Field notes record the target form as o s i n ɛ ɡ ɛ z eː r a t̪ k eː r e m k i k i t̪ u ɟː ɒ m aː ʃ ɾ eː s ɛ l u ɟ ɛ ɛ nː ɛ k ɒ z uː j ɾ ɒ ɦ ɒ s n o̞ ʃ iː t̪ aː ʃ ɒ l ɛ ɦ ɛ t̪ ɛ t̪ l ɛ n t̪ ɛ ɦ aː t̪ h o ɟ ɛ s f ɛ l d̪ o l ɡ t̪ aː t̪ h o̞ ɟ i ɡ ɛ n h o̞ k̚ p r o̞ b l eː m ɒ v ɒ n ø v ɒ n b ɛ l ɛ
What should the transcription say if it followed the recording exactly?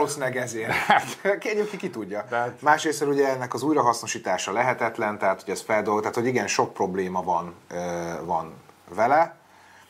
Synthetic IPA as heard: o s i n ɛ ɡ ɛ z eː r a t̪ k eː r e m k i k i t̪ u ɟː ɒ m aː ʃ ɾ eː s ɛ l u ɟ ɛ ɛ nː ɛ k ɒ z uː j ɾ ɒ ɦ ɒ s n o̞ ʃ iː t̪ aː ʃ ɒ l ɛ ɦ ɛ t̪ ɛ t̪ l ɛ n t̪ ɛ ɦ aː t̪ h o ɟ ɛ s f ɛ l d̪ o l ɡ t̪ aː t̪ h o̞ ɟ i ɡ ɛ n ʃ o̞ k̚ p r o̞ b l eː m ɒ v ɒ n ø v ɒ n v ɛ l ɛ